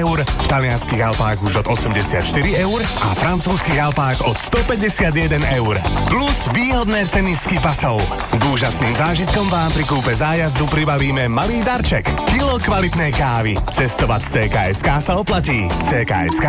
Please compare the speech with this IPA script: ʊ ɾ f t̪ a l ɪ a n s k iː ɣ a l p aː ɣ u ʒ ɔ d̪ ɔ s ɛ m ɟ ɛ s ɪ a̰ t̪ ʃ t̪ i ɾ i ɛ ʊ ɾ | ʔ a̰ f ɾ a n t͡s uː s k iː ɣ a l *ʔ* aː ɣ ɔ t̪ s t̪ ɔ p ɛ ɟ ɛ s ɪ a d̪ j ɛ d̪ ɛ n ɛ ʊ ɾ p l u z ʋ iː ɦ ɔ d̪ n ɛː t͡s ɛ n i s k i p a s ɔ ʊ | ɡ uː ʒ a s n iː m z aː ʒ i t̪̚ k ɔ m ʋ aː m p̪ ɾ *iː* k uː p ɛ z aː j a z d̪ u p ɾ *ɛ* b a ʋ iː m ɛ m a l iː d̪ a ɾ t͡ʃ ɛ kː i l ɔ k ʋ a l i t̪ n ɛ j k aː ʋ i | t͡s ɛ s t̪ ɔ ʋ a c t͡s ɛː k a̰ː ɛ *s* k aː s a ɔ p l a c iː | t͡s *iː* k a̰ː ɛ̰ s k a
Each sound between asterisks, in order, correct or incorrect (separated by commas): incorrect, incorrect, incorrect, correct, incorrect